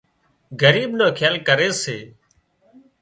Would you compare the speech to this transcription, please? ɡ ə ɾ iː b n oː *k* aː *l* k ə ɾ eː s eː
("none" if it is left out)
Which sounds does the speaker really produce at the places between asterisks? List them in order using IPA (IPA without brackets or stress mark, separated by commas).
kʰ, l